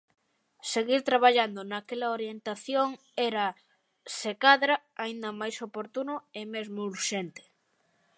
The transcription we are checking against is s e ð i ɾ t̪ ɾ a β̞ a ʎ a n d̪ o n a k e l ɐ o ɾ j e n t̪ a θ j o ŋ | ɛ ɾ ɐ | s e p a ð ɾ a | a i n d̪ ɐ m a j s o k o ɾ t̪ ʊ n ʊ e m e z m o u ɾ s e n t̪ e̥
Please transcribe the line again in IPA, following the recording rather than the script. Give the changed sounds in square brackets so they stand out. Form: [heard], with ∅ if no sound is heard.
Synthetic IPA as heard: s e [ɣ] i ɾ t̪ ɾ a β̞ a ʎ a n d̪ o n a k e l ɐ o ɾ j e n t̪ a θ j o ŋ | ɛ ɾ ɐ | s e [k] a ð ɾ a | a i n d̪ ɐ m a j s o [p] o ɾ t̪ [u] n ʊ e m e z m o u ɾ [ʃ] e n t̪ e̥